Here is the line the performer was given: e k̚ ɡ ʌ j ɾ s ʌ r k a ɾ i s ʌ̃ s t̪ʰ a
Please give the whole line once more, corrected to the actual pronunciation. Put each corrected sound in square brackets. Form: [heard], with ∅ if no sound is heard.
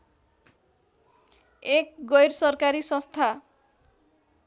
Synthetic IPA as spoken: e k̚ ɡ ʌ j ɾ s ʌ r k a ɾ i s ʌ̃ s t̪ʰ a